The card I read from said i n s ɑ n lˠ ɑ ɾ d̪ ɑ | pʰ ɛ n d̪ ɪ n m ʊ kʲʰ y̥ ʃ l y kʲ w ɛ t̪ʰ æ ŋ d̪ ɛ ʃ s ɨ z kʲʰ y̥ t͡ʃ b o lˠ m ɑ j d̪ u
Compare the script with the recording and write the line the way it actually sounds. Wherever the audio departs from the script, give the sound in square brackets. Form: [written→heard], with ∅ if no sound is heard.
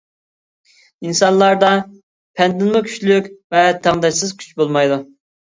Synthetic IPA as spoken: i n s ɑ n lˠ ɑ ɾ d̪ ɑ | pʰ ɛ n d̪ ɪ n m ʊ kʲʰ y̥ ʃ l y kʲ [w→v] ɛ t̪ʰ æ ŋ d̪ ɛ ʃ s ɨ z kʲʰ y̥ t͡ʃ b o lˠ m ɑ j d̪ u